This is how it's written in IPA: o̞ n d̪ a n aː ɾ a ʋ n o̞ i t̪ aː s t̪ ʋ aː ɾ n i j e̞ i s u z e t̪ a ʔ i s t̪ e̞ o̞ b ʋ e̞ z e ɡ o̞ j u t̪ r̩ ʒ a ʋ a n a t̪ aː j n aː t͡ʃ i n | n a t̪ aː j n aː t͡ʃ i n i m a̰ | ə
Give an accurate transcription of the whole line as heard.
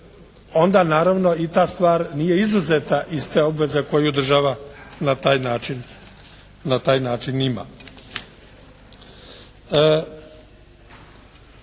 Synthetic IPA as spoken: o̞ n d̪ a n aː ɾ a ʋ n o̞ i t̪ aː s t̪ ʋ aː ɾ n i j e̞ i z u z e t̪ a ʔ i s t̪ e̞ o̞ b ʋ e̞ z e k o̞ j u d̪ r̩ ʒ a ʋ a n a t̪ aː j n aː t͡ʃ i n | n a t̪ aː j n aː t͡ʃ i n i m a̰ | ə